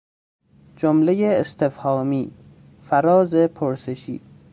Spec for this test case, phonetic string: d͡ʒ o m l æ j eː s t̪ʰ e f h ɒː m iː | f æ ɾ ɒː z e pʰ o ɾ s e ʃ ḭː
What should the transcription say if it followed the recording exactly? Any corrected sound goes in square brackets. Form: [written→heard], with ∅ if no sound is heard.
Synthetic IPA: d͡ʒ o m l [æ→e] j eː s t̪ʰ e f h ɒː m iː | f æ ɾ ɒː z e pʰ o ɾ s e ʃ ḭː